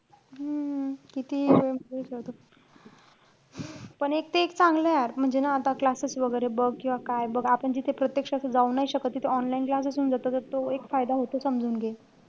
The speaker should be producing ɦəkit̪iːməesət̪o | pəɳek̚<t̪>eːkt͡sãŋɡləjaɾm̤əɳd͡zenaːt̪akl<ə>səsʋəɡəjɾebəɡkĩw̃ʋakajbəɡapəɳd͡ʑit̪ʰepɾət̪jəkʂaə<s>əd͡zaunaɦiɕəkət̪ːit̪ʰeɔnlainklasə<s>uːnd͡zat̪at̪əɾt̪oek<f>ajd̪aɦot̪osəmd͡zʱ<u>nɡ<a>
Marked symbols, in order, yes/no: yes, no, yes, yes, yes, no, no

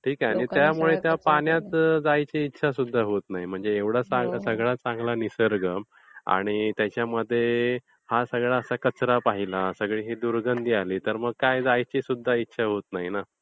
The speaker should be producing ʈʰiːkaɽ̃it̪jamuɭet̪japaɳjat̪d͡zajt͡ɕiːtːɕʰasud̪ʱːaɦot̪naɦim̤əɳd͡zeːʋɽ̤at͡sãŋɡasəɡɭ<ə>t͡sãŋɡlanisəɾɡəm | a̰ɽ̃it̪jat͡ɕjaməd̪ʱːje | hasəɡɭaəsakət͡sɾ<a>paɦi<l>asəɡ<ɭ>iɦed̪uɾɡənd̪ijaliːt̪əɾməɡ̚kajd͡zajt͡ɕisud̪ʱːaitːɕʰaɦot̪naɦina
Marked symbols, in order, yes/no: no, yes, yes, yes

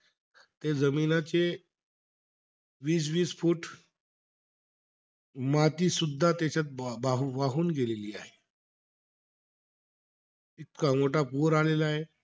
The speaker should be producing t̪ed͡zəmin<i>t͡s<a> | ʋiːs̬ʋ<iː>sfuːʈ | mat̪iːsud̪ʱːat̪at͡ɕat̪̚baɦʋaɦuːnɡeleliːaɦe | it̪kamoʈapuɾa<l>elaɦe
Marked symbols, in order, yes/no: no, no, yes, yes

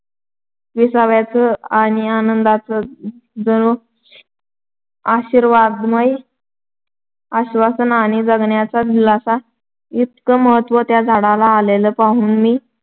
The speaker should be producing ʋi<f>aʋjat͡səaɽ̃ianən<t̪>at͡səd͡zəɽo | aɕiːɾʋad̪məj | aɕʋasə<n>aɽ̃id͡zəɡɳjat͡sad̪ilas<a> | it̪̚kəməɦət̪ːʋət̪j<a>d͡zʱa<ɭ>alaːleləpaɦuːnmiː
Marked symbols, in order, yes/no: no, no, yes, yes, yes, no

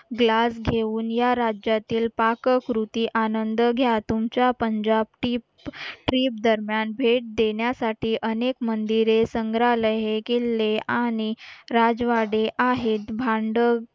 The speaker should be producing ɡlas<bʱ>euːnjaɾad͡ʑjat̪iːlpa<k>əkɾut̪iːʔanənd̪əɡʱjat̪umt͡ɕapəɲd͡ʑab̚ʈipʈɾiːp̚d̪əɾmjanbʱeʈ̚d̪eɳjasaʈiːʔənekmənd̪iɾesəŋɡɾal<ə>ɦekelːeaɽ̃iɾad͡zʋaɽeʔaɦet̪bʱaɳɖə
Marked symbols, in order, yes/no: no, yes, yes

